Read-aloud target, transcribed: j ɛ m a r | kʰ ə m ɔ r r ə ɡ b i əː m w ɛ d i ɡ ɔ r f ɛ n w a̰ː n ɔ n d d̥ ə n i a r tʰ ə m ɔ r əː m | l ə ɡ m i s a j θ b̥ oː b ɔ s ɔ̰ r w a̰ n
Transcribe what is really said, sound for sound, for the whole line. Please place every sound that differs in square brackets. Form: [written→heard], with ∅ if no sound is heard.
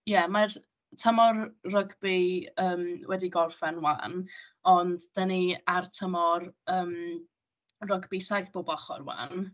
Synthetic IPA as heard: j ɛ m a r | [kʰ→tʰ] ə m ɔ r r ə ɡ b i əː m w ɛ d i ɡ ɔ r f ɛ n w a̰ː n ɔ n d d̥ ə n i a r tʰ ə m ɔ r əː m | [l→r] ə ɡ [m→b] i s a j θ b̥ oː b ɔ [s→χ] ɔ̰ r w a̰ n